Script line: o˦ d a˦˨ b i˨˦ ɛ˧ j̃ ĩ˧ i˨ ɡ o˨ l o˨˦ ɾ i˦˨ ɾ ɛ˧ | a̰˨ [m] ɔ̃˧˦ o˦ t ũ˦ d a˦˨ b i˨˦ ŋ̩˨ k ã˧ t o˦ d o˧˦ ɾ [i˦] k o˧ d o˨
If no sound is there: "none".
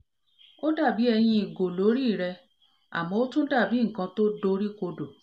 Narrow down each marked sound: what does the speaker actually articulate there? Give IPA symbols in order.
m, i˦

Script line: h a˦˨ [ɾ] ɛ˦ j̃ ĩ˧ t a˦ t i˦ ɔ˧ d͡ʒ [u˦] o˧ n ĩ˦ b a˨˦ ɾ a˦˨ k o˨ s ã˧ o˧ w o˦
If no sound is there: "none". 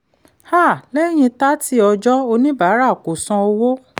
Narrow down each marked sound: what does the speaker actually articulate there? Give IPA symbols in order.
l, ɔ˦

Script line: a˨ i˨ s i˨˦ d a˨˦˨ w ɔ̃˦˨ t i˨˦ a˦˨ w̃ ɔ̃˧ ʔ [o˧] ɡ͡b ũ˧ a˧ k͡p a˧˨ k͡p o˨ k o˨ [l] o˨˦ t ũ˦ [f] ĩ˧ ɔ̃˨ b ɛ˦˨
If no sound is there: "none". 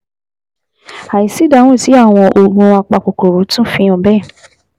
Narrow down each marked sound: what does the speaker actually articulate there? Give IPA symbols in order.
o˧, ɾ, f

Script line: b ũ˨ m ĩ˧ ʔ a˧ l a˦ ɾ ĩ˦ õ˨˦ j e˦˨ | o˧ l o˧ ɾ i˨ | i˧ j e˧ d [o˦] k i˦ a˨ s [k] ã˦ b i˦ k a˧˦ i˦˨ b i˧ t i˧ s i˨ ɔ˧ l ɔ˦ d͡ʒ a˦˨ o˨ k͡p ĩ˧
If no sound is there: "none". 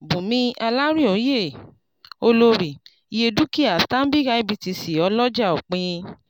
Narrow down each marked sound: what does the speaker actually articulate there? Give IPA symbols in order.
u˦, t

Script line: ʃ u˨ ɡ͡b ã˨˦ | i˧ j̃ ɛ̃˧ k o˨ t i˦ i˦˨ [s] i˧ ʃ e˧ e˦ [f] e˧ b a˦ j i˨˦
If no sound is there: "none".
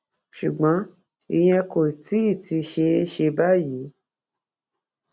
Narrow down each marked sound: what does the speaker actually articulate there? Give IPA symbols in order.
t, ʃ

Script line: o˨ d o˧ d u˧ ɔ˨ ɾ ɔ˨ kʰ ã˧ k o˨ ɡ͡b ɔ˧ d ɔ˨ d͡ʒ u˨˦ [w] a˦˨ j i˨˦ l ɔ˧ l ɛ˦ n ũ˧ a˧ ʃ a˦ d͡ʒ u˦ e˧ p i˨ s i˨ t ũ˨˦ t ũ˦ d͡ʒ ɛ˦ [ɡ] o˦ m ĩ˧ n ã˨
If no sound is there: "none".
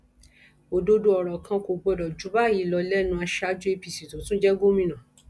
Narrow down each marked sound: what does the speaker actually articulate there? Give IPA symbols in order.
b, ɡ

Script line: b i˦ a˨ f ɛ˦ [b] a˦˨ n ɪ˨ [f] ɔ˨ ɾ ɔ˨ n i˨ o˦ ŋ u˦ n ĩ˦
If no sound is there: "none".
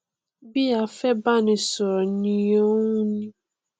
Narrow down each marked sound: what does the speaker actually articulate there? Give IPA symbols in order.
b, s

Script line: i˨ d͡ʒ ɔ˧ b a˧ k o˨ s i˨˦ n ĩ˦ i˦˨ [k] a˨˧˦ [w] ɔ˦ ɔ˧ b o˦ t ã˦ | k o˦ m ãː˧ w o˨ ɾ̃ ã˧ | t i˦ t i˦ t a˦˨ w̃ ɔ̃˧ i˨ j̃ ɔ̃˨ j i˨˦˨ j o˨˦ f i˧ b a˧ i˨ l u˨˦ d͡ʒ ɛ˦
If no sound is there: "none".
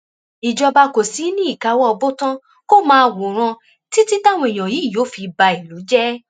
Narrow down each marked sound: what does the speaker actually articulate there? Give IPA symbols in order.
k, w

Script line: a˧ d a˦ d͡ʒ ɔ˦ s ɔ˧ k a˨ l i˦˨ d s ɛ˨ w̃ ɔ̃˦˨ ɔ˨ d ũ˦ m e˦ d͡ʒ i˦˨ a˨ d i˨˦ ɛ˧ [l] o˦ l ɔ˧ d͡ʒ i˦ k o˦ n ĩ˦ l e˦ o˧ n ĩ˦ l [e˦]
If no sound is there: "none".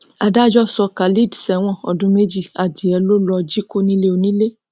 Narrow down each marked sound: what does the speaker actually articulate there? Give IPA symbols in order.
l, e˦

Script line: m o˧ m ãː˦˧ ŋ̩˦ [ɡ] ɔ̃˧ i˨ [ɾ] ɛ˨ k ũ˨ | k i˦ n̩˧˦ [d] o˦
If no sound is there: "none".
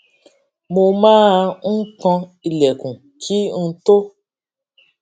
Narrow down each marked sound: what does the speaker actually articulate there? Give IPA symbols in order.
k, l, t

